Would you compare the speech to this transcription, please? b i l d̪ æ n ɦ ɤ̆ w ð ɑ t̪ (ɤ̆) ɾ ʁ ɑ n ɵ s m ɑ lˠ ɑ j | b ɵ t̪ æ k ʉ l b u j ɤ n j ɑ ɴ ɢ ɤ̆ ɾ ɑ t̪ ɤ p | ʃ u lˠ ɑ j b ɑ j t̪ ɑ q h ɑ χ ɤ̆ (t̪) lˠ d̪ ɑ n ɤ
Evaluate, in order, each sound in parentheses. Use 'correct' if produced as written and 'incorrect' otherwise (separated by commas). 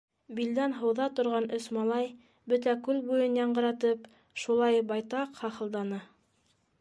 incorrect, incorrect